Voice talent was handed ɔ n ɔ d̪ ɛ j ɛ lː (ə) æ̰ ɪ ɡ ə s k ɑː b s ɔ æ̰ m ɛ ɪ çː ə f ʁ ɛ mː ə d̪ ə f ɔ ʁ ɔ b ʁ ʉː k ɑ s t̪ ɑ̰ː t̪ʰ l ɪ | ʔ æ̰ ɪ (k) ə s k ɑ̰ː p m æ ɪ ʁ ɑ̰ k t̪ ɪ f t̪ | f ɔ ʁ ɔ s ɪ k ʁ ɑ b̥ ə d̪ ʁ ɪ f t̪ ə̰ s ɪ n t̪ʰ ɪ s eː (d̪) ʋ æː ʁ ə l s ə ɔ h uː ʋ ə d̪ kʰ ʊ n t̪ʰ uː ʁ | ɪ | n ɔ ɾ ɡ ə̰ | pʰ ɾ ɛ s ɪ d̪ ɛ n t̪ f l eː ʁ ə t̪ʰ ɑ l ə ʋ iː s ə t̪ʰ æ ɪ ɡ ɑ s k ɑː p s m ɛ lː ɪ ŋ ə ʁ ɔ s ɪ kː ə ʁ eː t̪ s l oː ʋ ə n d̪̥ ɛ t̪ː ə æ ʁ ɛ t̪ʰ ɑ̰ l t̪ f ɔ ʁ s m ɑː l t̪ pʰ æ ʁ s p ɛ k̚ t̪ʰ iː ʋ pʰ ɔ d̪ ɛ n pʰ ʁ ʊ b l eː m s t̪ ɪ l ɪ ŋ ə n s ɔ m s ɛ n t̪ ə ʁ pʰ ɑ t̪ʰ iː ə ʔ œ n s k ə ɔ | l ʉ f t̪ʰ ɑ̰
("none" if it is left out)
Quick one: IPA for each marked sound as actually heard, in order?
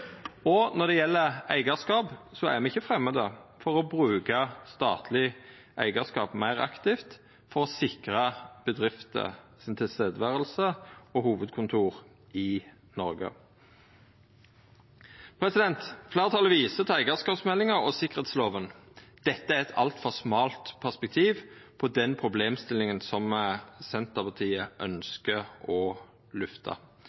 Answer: ə, ɡ, d̪

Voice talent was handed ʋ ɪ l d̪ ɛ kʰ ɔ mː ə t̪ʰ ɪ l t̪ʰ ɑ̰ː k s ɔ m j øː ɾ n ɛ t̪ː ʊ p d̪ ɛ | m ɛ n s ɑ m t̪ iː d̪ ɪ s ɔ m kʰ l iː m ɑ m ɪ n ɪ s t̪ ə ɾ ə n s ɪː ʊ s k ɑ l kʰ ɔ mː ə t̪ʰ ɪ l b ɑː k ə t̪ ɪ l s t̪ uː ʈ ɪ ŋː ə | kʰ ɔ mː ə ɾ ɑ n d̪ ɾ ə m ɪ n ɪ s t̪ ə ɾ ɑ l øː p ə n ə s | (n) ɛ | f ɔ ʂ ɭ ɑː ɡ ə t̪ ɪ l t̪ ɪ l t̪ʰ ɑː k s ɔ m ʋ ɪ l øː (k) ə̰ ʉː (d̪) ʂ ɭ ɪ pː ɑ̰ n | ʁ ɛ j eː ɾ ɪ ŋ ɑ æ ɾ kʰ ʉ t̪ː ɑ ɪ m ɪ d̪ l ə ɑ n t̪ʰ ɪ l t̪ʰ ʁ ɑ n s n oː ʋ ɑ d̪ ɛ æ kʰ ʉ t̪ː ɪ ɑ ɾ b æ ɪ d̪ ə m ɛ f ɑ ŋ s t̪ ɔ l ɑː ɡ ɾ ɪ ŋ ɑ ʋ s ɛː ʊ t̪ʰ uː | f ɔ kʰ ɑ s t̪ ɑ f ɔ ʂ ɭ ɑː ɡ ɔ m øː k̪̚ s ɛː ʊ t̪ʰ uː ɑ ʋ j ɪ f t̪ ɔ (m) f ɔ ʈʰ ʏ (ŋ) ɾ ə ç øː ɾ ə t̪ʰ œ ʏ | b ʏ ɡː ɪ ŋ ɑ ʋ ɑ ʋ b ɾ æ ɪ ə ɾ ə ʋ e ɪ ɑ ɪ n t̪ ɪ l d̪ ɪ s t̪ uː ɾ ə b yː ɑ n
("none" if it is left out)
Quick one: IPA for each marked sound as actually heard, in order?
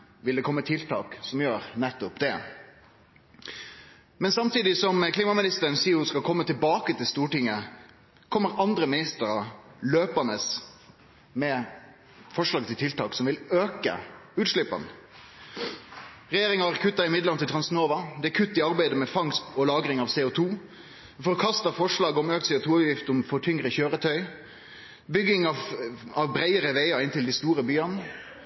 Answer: m, k, t̪, m, ŋ

